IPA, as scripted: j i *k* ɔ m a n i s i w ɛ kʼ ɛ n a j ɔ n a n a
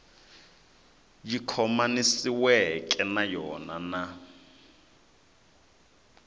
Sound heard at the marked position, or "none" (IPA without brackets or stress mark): kʰ